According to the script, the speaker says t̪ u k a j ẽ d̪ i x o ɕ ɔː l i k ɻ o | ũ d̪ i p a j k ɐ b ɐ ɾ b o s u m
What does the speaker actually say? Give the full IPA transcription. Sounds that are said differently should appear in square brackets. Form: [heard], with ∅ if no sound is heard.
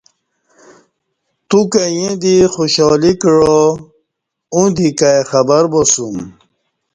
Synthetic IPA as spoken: t̪ u k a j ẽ d̪ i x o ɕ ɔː l i k ɻ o | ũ d̪ i [k] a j [x] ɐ b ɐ ɾ b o s u m